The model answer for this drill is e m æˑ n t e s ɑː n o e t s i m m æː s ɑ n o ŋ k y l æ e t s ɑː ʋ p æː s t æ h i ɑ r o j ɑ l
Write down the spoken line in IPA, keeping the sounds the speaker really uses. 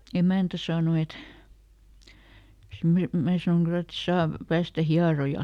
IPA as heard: e m æˑ n t æ s ɑː n o e t s i m m æː s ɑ n o ŋ k y l æ e t s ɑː ʋ p æː s t æ h i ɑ r o j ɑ l